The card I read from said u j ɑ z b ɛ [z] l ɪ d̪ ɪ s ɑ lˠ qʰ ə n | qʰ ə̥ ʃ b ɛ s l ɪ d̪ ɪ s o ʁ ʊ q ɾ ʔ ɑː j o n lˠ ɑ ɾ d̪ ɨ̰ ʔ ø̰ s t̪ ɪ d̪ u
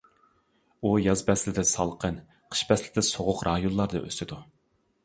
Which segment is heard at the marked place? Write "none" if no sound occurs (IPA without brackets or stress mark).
s